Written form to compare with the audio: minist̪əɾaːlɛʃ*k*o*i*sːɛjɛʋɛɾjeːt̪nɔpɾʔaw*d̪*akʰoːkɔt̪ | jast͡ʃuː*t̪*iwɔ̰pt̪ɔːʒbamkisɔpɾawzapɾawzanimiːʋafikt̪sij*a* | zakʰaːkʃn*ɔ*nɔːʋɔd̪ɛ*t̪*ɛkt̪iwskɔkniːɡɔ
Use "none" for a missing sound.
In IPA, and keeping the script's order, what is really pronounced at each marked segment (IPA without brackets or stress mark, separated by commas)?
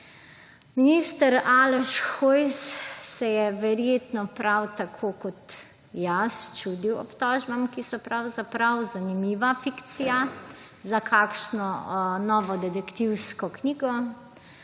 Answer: x, j, t̪, d̪, a, ɔ, d̪